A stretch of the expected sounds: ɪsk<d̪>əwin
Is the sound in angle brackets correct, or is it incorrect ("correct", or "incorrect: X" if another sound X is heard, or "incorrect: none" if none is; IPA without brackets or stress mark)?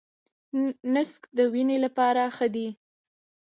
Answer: correct